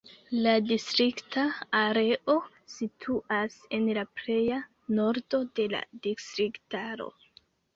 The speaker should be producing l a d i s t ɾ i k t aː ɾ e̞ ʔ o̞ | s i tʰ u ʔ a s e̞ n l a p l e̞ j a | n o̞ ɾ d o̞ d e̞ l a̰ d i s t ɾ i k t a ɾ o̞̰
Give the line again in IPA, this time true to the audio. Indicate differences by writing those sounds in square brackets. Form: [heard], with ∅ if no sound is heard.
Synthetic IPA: l a d i s t ɾ i k t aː ɾ e̞ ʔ o̞ | s i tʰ u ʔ a s e̞ n l a p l e̞ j a | n o̞ ɾ d o̞ d e̞ l a̰ d i s t ɾ i k t a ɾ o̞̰